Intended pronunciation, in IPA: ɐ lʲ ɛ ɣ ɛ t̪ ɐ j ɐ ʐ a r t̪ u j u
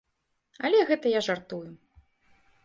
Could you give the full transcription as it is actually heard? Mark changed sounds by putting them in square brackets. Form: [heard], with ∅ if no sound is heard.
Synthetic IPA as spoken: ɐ lʲ ɛ ɣ ɛ t̪ ɐ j [a] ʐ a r t̪ u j u